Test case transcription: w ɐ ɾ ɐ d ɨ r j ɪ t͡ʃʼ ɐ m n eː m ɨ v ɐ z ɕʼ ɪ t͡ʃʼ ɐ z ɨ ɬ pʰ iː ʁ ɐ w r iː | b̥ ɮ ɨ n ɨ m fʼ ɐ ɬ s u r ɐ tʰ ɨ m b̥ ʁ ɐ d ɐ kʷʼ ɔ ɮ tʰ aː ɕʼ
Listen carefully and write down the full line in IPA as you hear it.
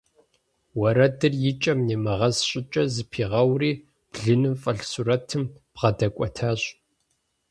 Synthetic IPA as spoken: w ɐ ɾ ɐ d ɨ r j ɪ t͡ʃʼ ɐ m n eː m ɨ ʁ ɐ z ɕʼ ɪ t͡ʃʼ ɐ z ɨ pʰ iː ʁ ɐ w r iː | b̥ ɮ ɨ n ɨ m fʼ ɐ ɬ s u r ɐ tʰ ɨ m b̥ ʁ ɐ d ɐ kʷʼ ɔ tʰ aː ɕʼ